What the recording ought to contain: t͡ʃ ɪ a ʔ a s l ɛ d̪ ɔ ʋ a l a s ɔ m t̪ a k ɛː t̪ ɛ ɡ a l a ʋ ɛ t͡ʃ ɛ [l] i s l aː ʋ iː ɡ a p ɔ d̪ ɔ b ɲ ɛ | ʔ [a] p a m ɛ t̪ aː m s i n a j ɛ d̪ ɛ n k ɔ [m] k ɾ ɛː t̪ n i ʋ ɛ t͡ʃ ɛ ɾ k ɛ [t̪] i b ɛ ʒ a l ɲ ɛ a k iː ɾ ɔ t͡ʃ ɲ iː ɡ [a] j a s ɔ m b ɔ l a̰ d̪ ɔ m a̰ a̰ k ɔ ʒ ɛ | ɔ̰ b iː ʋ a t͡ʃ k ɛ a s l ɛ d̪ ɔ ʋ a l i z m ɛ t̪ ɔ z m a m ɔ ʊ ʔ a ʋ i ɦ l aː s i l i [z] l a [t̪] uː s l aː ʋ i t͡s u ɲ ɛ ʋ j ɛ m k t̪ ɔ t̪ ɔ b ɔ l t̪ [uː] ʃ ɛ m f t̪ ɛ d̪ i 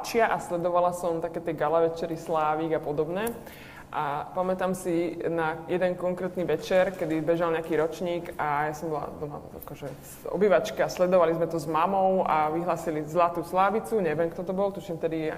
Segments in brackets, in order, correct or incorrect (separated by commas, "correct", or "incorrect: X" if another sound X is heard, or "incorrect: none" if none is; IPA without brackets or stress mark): incorrect: ɾ, correct, incorrect: ŋ, incorrect: d̪, correct, correct, correct, incorrect: u